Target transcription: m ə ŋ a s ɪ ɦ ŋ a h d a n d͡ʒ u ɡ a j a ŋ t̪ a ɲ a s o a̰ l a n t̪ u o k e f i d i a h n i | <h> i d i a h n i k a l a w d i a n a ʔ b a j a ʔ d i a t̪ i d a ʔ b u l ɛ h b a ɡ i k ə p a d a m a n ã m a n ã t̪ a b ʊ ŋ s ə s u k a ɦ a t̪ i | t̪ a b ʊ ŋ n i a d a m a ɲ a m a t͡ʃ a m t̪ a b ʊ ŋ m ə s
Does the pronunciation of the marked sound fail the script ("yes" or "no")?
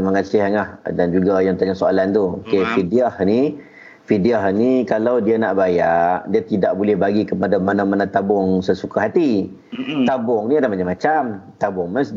yes